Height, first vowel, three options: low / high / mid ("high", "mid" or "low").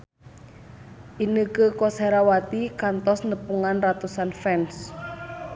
high